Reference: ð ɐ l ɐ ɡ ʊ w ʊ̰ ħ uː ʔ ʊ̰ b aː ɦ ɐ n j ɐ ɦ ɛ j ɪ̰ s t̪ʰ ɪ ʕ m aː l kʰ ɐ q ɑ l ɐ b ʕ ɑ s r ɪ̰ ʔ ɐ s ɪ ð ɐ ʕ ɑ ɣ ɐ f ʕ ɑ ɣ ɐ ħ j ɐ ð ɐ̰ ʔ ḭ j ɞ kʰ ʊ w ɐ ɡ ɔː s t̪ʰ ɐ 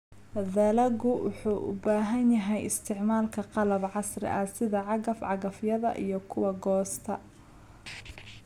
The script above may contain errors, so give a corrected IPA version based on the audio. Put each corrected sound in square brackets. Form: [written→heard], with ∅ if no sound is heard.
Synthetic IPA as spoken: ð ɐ l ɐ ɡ ʊ w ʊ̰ ħ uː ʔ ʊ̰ b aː ɦ ɐ n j ɐ ɦ ɛ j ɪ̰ s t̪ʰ ɪ ʕ m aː l kʰ ɐ q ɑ l ɐ b ʕ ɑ s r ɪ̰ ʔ ɐ s ɪ ð ɐ ʕ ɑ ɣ ɐ f ʕ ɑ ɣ ɐ [ħ→f] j ɐ ð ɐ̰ ʔ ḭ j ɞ kʰ ʊ w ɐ ɡ ɔː s t̪ʰ ɐ